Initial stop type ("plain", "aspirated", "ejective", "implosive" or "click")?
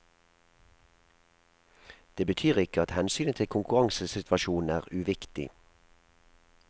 plain